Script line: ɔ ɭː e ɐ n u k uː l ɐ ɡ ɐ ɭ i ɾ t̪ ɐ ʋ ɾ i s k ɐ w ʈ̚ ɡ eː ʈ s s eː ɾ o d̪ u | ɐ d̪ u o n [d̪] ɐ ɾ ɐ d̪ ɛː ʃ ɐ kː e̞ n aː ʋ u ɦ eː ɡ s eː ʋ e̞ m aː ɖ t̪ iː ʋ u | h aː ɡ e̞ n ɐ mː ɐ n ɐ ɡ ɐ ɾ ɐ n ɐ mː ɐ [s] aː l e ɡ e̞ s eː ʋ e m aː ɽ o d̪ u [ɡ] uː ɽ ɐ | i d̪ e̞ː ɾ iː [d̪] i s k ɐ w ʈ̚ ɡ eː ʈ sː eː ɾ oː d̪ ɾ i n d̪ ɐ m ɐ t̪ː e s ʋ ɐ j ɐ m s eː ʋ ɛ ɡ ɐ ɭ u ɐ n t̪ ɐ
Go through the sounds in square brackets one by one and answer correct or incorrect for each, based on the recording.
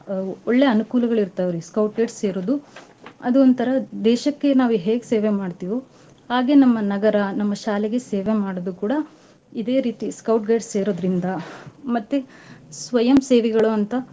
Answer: incorrect: t̪, incorrect: ʃ, incorrect: k, incorrect: t̪

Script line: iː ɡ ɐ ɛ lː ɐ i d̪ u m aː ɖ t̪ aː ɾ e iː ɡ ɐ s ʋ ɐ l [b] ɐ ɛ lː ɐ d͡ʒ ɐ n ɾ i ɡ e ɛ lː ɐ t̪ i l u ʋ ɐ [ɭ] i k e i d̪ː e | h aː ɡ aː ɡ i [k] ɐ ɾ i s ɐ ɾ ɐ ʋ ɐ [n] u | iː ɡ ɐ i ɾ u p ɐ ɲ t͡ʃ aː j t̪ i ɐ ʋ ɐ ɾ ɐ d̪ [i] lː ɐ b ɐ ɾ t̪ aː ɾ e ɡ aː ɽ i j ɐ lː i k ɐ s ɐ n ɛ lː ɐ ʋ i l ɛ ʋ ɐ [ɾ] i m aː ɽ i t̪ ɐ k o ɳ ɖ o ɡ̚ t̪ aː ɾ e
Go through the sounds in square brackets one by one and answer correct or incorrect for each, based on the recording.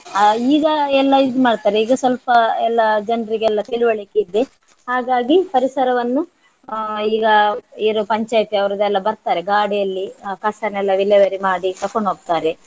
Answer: incorrect: p, correct, incorrect: p, incorrect: nː, incorrect: ɛ, correct

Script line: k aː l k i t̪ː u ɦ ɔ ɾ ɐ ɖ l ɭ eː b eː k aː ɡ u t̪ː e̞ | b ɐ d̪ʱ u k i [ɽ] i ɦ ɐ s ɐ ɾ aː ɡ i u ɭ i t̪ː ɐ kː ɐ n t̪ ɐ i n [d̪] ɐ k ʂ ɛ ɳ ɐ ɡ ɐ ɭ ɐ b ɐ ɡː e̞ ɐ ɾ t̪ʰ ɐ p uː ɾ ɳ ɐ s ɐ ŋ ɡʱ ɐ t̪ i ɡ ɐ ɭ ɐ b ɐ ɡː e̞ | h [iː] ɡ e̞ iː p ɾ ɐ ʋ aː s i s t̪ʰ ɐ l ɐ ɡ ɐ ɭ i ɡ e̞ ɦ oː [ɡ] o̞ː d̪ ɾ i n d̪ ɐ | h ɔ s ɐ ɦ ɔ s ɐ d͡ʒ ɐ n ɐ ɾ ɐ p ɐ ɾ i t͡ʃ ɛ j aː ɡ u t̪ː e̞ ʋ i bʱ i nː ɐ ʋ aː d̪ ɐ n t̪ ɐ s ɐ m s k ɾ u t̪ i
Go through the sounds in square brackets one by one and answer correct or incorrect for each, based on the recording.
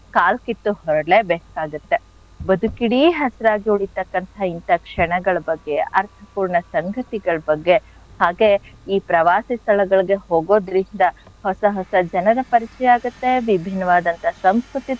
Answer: correct, incorrect: t̪, incorrect: aː, correct

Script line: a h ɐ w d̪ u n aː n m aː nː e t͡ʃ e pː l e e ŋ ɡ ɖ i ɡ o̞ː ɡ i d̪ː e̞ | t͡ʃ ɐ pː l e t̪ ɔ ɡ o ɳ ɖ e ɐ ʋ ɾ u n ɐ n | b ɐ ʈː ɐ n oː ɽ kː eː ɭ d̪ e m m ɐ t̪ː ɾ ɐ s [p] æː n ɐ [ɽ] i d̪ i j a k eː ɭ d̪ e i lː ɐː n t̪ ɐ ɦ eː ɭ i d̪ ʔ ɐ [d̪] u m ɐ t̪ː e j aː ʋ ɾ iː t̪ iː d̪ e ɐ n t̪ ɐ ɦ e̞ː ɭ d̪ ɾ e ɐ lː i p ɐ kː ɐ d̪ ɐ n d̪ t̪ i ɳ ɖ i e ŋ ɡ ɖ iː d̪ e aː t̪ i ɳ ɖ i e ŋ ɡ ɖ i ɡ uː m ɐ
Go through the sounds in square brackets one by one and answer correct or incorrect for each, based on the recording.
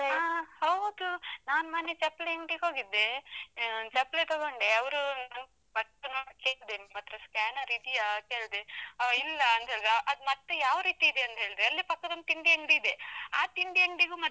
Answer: incorrect: k, incorrect: ɾ, correct

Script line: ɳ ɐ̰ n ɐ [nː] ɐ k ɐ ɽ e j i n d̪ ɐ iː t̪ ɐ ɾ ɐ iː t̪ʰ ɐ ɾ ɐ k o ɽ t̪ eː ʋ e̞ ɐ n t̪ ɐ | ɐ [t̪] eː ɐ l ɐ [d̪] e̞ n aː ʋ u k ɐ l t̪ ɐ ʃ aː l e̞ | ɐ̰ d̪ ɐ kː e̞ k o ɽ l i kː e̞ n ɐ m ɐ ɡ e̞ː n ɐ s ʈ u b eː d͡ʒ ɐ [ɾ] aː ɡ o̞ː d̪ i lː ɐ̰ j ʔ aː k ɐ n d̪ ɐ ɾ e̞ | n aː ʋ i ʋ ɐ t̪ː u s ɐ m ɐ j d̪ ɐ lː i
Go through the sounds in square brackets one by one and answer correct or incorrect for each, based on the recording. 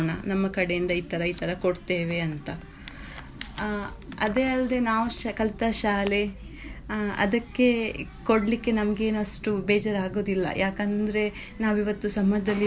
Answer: incorrect: mː, incorrect: d̪, correct, correct

